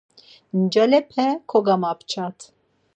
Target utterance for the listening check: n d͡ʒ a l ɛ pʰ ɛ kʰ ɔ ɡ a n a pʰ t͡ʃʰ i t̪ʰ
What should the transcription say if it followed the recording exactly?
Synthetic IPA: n d͡ʒ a l ɛ pʰ ɛ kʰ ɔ ɡ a m a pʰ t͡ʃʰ a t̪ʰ

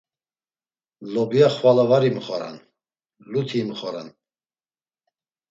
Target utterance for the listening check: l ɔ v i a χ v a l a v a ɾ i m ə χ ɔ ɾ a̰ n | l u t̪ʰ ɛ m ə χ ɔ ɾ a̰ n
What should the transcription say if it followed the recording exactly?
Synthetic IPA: l ɔ b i a χ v a l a v a ɾ i m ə χ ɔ ɾ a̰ n | l u t̪ʰ i m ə χ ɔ ɾ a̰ n

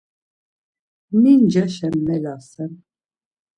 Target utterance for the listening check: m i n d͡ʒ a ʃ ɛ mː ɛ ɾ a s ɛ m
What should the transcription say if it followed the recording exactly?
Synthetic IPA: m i n d͡ʒ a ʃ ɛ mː ɛ l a s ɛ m

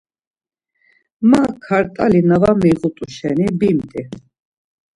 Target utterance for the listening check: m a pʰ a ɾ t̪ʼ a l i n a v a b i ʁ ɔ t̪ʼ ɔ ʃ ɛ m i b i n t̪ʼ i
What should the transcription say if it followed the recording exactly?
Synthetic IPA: m a kʰ a ɾ t̪ʼ a l i n a v a m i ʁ u t̪ʼ u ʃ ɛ n i b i m t̪ʼ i

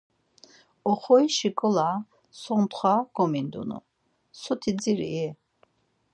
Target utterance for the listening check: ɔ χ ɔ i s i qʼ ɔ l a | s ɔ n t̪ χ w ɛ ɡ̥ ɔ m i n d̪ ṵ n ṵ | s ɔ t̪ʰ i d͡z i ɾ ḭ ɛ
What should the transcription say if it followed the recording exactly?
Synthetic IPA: ɔ χ ɔ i ʃ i kʼ ɔ l a | s ɔ n t̪ χ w a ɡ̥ ɔ m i n d̪ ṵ n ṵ | s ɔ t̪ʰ i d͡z i ɾ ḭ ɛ

